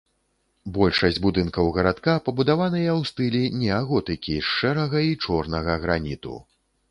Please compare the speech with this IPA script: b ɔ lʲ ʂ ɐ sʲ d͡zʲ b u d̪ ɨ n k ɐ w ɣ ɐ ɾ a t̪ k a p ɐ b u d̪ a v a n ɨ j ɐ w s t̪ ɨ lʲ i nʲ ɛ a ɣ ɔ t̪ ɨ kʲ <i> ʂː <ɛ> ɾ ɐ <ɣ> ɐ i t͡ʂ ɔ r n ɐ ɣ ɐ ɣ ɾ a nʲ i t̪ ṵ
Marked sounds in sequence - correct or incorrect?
correct, correct, correct

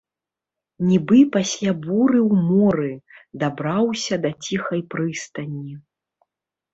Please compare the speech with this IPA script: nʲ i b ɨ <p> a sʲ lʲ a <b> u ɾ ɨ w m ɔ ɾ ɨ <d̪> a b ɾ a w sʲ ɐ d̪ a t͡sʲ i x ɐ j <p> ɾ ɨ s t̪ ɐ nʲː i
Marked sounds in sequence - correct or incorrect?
correct, correct, correct, correct

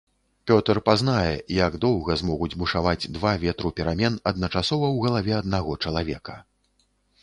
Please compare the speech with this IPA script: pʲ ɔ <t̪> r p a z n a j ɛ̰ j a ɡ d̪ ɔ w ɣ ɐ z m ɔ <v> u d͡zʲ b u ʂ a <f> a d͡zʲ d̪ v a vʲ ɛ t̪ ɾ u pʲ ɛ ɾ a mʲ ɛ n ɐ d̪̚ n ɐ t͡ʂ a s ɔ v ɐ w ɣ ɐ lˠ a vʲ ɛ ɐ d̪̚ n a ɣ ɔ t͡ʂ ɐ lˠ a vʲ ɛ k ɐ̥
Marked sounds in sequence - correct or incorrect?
correct, incorrect: ɣ, incorrect: v

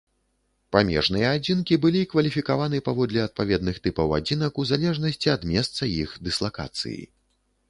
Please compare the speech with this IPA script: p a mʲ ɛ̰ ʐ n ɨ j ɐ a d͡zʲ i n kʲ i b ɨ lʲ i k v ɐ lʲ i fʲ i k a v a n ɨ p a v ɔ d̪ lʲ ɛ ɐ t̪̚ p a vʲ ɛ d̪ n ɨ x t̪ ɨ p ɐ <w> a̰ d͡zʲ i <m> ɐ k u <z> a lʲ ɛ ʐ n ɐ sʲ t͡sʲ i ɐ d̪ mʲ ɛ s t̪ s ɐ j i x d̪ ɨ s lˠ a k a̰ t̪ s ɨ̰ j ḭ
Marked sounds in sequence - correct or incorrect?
correct, incorrect: n, correct

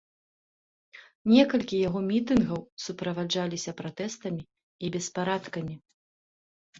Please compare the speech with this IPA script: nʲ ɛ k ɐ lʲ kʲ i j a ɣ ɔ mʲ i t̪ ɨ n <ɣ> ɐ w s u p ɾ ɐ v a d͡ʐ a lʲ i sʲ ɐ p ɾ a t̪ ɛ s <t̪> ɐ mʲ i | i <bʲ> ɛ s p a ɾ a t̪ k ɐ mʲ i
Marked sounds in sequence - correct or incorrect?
correct, correct, correct

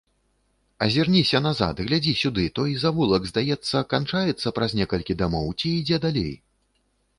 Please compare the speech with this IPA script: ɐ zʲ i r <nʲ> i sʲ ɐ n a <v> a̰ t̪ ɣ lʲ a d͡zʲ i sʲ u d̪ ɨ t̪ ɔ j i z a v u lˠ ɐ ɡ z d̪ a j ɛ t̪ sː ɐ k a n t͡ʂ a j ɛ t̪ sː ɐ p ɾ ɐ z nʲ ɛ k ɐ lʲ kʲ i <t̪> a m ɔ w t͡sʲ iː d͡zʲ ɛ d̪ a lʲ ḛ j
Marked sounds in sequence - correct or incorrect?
correct, incorrect: z, incorrect: d̪

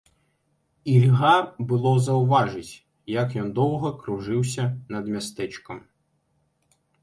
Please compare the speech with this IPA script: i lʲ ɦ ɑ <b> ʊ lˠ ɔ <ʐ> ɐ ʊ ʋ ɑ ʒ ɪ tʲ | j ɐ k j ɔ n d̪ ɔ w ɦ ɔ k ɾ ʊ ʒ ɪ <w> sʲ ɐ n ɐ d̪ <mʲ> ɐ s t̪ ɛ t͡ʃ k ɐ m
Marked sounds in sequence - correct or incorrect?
correct, incorrect: z, correct, correct

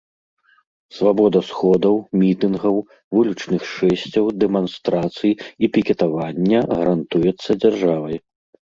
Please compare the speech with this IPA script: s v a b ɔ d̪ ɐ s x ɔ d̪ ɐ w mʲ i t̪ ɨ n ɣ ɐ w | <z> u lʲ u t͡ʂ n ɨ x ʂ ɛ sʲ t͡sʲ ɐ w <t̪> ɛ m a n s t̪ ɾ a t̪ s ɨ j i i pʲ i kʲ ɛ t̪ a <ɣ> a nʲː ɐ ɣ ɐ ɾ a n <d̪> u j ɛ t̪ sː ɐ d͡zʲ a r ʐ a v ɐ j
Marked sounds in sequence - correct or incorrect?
incorrect: v, incorrect: d̪, incorrect: v, incorrect: t̪

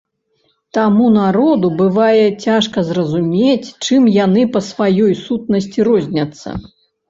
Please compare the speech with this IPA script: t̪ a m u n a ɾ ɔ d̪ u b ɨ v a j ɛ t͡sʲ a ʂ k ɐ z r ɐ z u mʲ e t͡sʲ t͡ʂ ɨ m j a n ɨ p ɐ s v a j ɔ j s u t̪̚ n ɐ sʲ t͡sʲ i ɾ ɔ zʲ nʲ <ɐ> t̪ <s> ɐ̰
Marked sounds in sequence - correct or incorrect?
correct, incorrect: sː

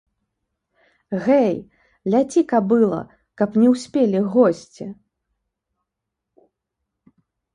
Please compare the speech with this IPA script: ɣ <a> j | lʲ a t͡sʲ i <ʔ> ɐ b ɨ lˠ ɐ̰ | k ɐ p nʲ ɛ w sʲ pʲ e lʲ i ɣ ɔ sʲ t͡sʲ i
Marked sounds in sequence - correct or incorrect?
incorrect: ɛ, incorrect: k

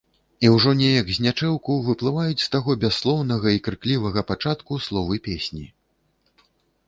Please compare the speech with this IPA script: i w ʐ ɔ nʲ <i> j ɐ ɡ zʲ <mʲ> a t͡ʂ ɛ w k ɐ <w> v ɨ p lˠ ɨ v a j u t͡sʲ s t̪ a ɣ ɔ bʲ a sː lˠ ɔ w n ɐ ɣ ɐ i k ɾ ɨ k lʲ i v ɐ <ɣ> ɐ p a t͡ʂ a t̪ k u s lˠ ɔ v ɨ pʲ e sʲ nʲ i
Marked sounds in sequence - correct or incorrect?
incorrect: ɛ, incorrect: nʲ, correct, correct

